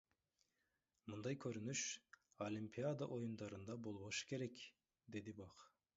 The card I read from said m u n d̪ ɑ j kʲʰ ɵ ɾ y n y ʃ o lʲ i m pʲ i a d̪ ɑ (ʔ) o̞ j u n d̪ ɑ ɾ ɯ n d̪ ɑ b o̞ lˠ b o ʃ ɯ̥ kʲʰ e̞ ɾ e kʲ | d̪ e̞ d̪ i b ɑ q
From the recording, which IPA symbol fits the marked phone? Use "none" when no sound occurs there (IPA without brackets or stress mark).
ʔ